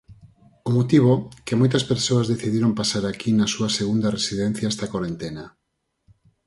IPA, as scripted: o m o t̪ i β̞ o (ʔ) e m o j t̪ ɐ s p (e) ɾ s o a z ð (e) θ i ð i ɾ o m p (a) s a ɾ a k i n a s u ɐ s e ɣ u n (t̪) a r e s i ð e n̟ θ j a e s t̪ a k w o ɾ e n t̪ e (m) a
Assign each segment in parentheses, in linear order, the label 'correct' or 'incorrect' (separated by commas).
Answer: incorrect, correct, correct, correct, incorrect, incorrect